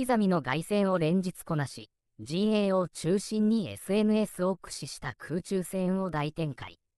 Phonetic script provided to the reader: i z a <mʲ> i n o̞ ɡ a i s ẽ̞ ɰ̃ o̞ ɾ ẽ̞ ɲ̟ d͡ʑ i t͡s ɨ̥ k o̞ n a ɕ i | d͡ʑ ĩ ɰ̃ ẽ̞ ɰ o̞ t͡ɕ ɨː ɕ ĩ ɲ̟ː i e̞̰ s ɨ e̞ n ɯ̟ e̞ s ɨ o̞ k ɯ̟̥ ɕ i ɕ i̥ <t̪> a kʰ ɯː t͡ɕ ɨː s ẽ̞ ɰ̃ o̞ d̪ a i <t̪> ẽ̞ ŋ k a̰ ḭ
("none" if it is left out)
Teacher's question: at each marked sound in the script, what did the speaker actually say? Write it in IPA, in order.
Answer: mʲ, t̪, t̪

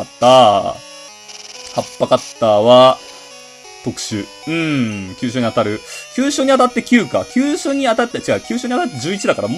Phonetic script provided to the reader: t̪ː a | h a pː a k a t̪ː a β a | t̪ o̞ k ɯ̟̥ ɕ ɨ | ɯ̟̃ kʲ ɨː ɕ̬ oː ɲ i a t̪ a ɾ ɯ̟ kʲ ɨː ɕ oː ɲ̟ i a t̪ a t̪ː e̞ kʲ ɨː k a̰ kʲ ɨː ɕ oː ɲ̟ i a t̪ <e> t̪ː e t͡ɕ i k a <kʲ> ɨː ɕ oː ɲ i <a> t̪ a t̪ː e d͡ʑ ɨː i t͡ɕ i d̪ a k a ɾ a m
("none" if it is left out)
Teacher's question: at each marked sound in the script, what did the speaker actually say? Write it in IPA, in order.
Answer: a, kʲ, a

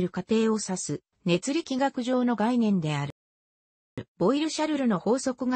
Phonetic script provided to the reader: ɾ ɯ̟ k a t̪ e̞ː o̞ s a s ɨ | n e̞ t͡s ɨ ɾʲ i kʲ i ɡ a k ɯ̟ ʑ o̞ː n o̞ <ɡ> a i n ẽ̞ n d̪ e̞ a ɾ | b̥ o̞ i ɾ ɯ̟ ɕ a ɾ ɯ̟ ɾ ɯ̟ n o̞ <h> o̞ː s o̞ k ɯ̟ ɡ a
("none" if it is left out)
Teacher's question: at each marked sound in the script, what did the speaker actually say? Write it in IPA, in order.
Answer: ɡ, h

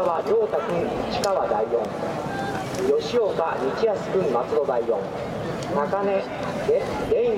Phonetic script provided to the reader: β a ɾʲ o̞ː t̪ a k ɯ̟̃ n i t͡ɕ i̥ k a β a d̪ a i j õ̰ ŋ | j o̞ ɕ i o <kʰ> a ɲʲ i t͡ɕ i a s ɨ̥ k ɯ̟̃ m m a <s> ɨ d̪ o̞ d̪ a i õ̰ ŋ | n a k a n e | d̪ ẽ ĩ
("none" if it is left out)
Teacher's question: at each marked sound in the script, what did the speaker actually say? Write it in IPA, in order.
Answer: k, t͡s

